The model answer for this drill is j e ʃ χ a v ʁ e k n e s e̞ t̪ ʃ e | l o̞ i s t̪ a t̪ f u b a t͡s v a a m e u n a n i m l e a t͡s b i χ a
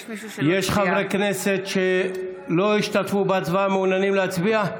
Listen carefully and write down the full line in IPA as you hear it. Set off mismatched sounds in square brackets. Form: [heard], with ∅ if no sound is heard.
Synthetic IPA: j e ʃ χ a v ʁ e k n e s e̞ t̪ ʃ e | l o̞ i [ʃ] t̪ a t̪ f u b a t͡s v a a m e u n a n i m l e a t͡s b i [∅] a